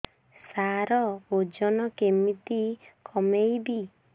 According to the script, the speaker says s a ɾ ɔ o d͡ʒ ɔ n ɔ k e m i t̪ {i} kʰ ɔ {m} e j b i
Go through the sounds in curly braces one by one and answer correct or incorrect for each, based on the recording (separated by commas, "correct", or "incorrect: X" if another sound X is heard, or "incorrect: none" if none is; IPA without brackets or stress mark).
correct, correct